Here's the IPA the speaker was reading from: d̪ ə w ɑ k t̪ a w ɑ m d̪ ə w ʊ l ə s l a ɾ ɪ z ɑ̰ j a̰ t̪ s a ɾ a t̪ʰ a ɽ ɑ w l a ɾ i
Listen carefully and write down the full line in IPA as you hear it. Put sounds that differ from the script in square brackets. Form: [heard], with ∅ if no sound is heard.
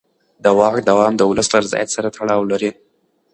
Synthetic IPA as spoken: d̪ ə w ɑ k [d̪] a w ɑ m d̪ ə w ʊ l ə s l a ɾ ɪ z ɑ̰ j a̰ t̪ s a ɾ a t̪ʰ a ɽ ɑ w l a ɾ i